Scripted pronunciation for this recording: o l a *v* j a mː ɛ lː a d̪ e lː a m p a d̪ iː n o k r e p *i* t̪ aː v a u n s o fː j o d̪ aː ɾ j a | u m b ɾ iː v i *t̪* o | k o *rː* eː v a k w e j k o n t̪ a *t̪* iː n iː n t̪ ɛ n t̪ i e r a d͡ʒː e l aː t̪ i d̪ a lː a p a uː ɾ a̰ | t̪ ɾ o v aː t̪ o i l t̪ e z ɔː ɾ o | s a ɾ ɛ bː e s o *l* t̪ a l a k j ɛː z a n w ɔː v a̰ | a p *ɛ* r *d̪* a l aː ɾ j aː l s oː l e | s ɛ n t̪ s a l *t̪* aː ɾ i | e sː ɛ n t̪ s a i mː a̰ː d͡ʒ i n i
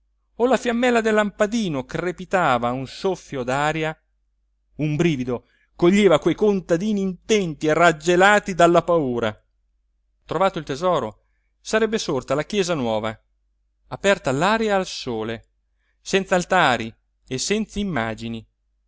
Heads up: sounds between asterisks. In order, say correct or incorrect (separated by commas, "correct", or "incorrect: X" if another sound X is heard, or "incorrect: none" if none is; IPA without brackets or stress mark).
incorrect: f, correct, incorrect: d̪, incorrect: ʎː, incorrect: d̪, incorrect: r, correct, incorrect: t̪, correct